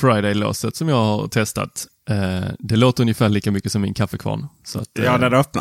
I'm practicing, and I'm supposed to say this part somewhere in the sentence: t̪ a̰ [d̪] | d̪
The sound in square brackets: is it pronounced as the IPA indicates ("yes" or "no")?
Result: no